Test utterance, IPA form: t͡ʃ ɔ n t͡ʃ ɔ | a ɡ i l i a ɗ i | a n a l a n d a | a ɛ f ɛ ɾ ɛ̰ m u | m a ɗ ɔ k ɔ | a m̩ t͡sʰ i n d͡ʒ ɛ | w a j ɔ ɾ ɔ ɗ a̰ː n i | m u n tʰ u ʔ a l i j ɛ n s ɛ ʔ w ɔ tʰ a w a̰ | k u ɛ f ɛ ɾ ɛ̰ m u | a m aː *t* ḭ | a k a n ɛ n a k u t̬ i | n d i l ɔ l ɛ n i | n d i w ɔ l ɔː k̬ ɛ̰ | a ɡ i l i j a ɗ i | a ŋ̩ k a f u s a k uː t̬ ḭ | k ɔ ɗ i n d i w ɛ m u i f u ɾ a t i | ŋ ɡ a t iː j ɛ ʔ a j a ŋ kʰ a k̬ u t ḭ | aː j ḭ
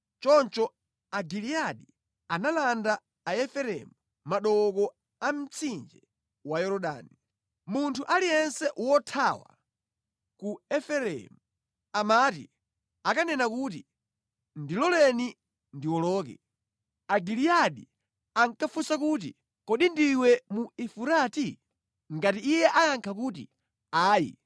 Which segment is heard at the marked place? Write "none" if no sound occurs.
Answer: t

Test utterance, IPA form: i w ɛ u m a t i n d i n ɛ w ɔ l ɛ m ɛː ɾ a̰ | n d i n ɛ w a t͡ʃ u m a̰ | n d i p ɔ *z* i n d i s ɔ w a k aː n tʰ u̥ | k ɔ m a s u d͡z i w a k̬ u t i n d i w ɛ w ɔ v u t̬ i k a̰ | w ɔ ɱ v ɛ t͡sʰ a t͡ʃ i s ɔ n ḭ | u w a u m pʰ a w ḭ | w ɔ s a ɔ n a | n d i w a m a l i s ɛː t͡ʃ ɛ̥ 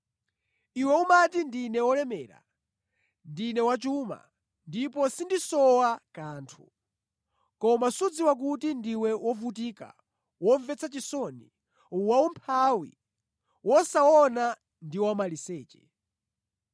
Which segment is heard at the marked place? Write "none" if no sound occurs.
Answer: s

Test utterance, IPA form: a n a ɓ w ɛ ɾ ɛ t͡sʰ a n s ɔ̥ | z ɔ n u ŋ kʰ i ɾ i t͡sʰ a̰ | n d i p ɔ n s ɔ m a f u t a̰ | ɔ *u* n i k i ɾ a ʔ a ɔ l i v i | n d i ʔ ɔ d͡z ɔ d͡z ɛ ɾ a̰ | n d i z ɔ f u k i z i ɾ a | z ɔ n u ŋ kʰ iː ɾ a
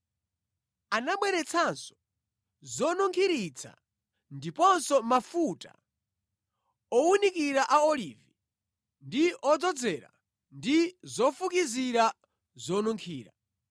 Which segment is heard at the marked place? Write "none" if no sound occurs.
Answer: u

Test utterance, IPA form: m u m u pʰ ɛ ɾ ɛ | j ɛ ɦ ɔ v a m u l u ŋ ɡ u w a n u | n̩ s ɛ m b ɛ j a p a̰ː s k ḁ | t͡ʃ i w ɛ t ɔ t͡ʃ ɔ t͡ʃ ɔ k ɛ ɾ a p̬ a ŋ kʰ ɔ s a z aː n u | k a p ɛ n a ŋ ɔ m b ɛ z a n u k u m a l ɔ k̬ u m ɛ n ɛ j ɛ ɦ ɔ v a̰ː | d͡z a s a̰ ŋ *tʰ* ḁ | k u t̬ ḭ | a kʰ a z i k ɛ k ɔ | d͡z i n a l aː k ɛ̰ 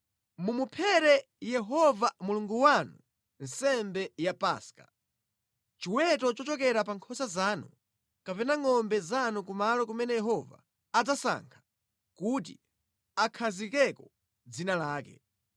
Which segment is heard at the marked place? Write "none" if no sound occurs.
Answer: kʰ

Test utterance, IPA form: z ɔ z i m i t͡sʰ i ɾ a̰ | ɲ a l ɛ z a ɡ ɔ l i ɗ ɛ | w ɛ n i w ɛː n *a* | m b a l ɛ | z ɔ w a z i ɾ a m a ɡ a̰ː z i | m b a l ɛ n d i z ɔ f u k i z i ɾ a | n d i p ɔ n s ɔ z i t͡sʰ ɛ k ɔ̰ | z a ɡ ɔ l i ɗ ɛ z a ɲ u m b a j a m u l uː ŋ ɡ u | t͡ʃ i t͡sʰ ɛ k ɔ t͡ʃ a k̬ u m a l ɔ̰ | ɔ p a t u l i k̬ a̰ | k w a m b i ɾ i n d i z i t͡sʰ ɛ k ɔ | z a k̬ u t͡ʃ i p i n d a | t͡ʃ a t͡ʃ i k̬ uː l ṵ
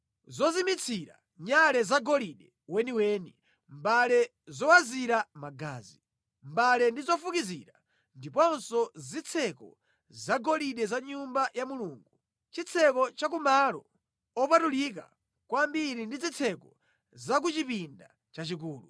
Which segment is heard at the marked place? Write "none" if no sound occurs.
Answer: i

